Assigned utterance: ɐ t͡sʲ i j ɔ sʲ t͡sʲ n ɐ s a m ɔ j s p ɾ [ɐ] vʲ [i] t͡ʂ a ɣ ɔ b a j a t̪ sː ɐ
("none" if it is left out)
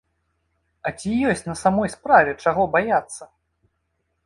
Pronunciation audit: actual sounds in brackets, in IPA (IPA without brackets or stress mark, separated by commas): a, ɛ